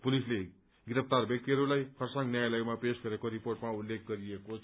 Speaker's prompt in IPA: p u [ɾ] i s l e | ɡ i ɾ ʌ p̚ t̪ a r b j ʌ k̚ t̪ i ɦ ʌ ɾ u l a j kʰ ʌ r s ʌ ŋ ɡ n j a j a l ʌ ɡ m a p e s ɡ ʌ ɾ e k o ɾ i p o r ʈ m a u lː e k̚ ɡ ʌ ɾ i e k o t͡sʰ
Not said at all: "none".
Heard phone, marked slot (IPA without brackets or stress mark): l